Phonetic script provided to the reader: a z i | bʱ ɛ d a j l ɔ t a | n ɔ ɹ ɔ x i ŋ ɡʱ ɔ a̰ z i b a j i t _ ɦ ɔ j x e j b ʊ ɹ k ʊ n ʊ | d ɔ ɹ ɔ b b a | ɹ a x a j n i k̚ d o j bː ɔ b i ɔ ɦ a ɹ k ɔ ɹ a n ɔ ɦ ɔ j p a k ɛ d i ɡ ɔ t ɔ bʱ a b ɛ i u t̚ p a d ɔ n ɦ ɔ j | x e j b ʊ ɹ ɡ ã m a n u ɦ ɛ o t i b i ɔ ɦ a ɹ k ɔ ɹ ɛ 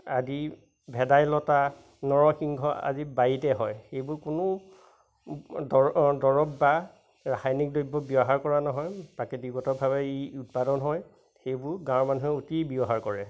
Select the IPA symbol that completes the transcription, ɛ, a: ɛ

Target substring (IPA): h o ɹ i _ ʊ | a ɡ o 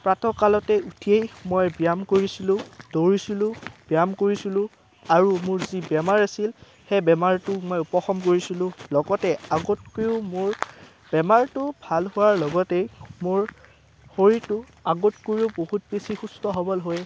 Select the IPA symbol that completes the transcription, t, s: t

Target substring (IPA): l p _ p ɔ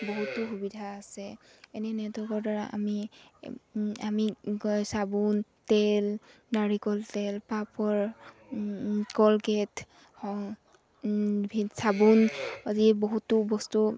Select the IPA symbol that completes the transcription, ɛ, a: a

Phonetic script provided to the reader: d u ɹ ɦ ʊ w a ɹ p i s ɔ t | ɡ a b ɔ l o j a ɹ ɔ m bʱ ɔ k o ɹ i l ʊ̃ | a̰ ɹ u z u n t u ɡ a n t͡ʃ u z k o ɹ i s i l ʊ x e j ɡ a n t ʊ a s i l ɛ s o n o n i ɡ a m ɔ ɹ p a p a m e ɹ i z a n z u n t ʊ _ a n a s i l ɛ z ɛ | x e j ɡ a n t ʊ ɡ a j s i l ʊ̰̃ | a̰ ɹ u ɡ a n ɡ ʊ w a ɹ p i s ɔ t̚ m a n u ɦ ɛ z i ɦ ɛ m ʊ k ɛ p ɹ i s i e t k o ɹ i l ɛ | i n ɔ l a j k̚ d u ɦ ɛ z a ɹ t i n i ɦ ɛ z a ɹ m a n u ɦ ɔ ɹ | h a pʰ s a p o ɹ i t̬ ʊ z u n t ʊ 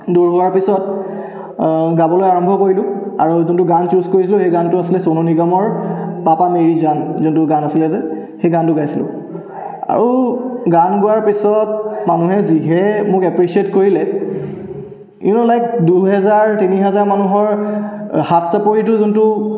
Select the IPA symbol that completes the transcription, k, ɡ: ɡ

